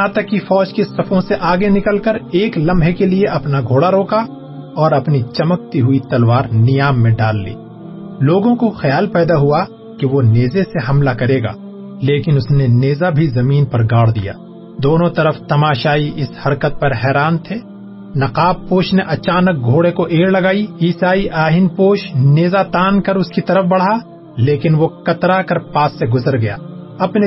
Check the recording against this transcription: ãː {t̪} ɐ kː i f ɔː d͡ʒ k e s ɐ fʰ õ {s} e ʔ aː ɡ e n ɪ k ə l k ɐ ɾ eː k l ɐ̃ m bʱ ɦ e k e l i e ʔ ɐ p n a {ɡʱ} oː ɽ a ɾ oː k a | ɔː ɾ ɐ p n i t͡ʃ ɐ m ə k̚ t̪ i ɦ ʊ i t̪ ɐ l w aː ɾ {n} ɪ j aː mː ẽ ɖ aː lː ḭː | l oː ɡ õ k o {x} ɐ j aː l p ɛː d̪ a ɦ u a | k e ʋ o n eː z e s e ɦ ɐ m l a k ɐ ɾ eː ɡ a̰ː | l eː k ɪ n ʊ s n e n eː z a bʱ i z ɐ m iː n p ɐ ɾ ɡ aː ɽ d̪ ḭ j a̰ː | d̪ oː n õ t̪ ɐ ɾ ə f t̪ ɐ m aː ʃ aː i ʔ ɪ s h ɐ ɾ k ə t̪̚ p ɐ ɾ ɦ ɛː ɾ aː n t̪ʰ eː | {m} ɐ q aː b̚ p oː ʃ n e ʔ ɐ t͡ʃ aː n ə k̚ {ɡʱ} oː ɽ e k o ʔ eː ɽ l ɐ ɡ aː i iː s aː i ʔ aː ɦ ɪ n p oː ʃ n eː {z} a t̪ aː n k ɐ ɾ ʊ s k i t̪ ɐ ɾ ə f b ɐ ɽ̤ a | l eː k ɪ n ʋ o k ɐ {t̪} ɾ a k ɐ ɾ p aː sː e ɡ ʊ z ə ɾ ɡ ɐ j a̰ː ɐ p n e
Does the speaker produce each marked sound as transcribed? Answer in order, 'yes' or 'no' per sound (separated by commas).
yes, yes, yes, yes, yes, no, yes, yes, yes